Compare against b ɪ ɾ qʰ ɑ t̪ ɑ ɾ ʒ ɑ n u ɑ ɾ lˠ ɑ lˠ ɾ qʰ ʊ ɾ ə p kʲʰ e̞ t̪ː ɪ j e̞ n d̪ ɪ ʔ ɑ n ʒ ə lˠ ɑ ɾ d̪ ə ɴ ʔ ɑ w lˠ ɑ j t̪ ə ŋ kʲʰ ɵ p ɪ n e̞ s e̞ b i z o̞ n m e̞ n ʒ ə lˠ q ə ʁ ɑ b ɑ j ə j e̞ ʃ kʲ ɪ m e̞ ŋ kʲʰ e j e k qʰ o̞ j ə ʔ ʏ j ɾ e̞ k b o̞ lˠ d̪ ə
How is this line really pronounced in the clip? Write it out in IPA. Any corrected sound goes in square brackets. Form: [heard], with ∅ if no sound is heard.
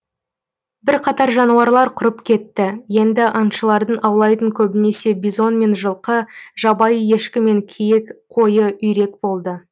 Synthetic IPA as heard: b ɪ ɾ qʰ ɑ t̪ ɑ ɾ ʒ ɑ n u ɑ ɾ lˠ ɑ [∅] ɾ qʰ ʊ ɾ ə p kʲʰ e̞ t̪ː ɪ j e̞ n d̪ ɪ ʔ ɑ n [ʃ] ə lˠ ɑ ɾ d̪ ə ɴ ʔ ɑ w lˠ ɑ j t̪ ə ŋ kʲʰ ɵ [b] ɪ n e̞ s e̞ b i z o̞ n m e̞ n ʒ ə lˠ q ə [ʒ] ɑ b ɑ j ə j e̞ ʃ kʲ ɪ m e̞ ŋ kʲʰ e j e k qʰ o̞ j ə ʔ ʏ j ɾ e̞ k b o̞ lˠ d̪ ə

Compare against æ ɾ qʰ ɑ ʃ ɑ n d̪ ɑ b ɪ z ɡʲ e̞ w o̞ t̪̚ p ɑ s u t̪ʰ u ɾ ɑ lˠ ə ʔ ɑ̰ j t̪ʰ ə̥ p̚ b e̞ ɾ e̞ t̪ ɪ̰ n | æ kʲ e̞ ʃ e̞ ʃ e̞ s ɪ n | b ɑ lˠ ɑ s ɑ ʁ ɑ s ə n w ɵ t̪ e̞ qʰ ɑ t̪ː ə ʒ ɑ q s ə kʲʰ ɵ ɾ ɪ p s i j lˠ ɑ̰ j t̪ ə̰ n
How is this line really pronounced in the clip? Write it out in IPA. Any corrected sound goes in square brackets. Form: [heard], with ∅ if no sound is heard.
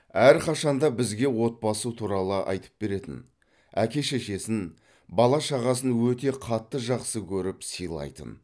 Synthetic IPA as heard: æ ɾ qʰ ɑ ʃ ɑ n d̪ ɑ b ɪ z ɡʲ e̞ w o̞ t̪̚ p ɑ s u t̪ʰ u ɾ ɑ lˠ ə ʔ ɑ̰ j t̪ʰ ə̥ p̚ b e̞ ɾ e̞ t̪ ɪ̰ n | æ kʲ e̞ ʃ e̞ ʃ e̞ s ɪ n | b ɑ lˠ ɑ [ʃ] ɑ ʁ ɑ s ə n w ɵ t̪ e̞ qʰ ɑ t̪ː ə ʒ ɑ q s ə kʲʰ ɵ ɾ ɪ p s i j lˠ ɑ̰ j t̪ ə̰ n

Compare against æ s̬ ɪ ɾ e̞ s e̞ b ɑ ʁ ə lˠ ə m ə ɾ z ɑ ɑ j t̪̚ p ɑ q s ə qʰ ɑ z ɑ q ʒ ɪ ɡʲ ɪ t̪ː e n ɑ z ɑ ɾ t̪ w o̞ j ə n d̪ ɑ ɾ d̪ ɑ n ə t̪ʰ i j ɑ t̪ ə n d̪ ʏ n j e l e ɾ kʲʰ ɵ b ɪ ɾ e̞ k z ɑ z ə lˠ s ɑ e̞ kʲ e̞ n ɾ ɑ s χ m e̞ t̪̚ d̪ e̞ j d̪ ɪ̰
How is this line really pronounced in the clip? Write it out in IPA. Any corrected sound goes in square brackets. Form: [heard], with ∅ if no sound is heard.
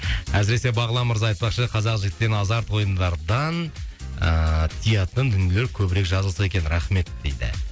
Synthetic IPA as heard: æ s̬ ɪ ɾ e̞ s e̞ b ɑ ʁ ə lˠ [ɑ] m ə ɾ z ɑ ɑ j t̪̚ p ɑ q [ʃ] ə qʰ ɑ z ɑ q ʒ ɪ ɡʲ ɪ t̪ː e n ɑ z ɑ ɾ t̪ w o̞ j ə n d̪ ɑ ɾ d̪ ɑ n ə t̪ʰ i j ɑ t̪ ə n d̪ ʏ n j e l e ɾ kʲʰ ɵ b ɪ ɾ e̞ k [ʒ] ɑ z ə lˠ s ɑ e̞ kʲ e̞ n ɾ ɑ [∅] χ m e̞ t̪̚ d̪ e̞ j d̪ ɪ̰

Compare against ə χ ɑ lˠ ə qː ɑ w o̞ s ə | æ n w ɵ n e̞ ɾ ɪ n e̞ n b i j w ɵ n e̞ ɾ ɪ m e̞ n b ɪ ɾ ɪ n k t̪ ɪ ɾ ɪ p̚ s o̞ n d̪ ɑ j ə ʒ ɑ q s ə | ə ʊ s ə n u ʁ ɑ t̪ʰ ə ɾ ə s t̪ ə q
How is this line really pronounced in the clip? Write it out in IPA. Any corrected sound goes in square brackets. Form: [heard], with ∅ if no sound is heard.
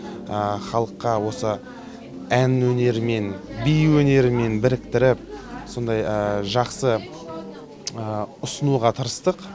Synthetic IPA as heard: ə χ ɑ lˠ ə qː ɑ w o̞ s ə | æ n w ɵ n e̞ ɾ ɪ [m] e̞ n b i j w ɵ n e̞ ɾ ɪ m e̞ n b ɪ ɾ ɪ [∅] k t̪ ɪ ɾ ɪ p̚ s o̞ n d̪ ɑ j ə ʒ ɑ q s ə | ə ʊ s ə n u ʁ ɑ t̪ʰ ə ɾ ə s t̪ ə q

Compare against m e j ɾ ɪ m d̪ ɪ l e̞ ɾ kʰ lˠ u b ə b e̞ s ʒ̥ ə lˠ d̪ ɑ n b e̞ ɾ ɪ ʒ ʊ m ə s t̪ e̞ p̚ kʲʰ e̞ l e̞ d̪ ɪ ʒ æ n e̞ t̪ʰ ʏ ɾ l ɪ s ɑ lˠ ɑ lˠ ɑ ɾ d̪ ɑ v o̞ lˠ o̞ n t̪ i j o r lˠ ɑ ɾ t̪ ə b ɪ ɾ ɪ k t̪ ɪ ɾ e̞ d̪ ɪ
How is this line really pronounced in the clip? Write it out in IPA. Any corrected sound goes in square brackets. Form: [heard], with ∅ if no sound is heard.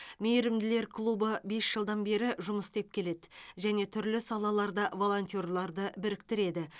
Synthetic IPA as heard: m e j ɾ ɪ m d̪ ɪ l e̞ ɾ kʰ lˠ u b ə b e̞ s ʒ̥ ə lˠ d̪ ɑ n b e̞ ɾ ɪ ʒ ʊ m ə s t̪ e̞ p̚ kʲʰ e̞ l e̞ d̪ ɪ ʒ æ n e̞ t̪ʰ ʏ ɾ l ɪ s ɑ lˠ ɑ lˠ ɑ ɾ d̪ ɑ v o̞ lˠ o̞ n t̪ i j o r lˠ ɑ ɾ [d̪] ə b ɪ ɾ ɪ k t̪ ɪ ɾ e̞ d̪ ɪ

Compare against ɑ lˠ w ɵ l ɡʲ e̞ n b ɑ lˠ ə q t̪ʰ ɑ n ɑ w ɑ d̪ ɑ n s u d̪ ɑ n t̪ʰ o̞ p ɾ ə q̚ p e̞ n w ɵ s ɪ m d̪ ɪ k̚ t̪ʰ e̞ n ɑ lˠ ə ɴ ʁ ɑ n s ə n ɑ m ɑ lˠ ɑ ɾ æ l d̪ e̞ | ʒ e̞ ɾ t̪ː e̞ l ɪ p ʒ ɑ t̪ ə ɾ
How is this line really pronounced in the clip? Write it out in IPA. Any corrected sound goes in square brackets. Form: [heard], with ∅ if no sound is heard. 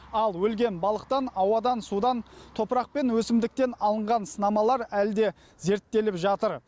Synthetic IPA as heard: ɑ lˠ w ɵ l ɡʲ e̞ n b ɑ lˠ ə q [t̪] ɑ n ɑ w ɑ d̪ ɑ n s u d̪ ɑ n t̪ʰ o̞ p ɾ [ɑ] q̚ p e̞ n w ɵ s ɪ m d̪ ɪ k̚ [t̪] e̞ n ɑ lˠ ə ɴ ʁ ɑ n s ə n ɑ m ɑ lˠ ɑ ɾ æ l d̪ e̞ | [z] e̞ ɾ t̪ː e̞ l ɪ p ʒ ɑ t̪ ə ɾ

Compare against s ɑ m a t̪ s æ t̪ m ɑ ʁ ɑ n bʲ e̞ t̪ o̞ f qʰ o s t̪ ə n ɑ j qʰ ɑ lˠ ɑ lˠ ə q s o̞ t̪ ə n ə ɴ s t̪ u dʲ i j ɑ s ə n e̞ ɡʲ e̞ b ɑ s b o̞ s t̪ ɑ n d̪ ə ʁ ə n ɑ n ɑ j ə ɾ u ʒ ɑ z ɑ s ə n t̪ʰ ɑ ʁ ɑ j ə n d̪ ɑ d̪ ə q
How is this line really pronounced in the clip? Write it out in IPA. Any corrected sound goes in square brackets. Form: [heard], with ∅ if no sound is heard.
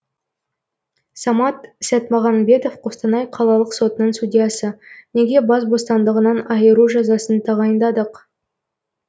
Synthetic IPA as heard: s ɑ m [ɑ] t̪ s æ t̪ m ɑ ʁ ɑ n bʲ e̞ t̪ o̞ f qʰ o s t̪ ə n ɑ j qʰ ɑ lˠ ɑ lˠ ə q s o̞ t̪ ə n ə ɴ s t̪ u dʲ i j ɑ s ə n e̞ ɡʲ e̞ b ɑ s b o̞ s t̪ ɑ n d̪ ə ʁ ə n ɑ n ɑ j ə ɾ u ʒ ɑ z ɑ s ə n t̪ʰ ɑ ʁ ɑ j ə n d̪ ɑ d̪ ə q

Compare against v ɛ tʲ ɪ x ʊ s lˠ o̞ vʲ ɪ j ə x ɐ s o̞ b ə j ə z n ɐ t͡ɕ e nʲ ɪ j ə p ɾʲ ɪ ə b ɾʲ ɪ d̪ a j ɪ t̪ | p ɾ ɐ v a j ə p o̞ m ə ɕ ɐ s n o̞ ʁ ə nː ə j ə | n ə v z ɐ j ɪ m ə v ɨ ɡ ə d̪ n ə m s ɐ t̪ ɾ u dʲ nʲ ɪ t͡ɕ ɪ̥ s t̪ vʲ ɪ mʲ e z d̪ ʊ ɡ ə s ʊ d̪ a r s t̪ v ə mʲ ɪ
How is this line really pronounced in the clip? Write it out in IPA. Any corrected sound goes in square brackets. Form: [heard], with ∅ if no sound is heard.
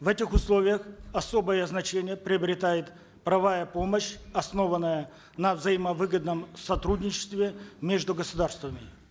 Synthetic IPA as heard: v ɛ tʲ ɪ x ʊ s lˠ o̞ vʲ ɪ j ə x ɐ s o̞ b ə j ə z n ɐ t͡ɕ e nʲ ɪ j ə p ɾʲ ɪ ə b ɾʲ ɪ [t̪] a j ɪ t̪ | p ɾ ɐ v a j ə p o̞ m ə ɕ ɐ s n o̞ [v] ə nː ə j ə | n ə v z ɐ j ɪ m ə v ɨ ɡ ə d̪ n ə m s ɐ t̪ ɾ u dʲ nʲ ɪ t͡ɕ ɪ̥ s t̪ vʲ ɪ mʲ e [ʐ] d̪ ʊ ɡ ə s ʊ d̪ a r s t̪ v ə mʲ ɪ

